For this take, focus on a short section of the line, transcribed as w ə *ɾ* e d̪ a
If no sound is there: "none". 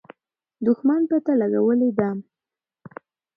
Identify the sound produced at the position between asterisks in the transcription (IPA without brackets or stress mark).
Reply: l